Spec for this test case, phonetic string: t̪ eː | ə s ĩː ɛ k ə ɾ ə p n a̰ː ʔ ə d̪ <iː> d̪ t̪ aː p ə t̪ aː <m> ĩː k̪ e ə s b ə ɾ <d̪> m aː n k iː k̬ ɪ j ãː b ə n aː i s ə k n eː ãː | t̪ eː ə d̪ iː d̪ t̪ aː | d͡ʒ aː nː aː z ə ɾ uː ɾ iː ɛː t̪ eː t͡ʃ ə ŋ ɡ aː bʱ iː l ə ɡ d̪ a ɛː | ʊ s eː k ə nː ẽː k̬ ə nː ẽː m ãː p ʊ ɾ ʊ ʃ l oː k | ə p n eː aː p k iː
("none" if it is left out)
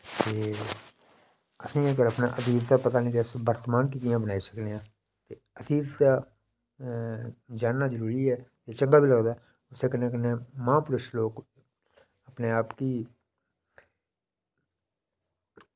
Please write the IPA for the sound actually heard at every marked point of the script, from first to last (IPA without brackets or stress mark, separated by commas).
iː, n, t̪